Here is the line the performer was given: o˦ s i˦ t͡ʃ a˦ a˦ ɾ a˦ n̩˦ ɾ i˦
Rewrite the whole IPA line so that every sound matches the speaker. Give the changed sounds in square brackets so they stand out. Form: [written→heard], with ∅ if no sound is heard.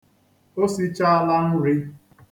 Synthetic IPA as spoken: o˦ s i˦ t͡ʃ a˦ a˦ [ɾ→l] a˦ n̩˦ ɾ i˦